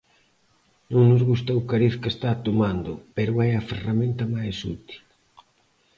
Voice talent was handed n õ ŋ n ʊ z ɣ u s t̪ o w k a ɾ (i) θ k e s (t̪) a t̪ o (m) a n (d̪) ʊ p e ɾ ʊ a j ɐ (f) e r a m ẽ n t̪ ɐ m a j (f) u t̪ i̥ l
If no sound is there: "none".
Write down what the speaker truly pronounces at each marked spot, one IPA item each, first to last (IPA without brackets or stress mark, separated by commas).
i, t̪, m, d̪, f, s